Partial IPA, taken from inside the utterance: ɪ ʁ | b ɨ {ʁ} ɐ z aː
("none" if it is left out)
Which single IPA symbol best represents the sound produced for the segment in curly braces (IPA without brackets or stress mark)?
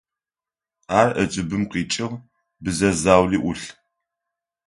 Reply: z